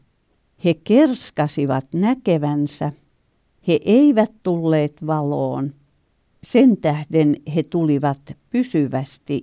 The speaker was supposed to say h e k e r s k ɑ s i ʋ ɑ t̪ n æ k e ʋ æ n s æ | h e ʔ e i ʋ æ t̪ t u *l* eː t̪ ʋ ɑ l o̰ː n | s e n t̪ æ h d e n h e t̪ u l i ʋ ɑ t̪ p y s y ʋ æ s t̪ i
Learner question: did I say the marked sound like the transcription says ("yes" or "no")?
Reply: no